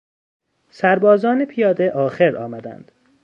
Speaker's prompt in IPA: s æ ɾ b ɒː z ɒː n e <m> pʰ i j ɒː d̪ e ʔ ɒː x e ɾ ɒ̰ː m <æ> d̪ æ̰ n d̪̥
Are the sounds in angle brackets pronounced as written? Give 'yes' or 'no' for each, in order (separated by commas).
no, yes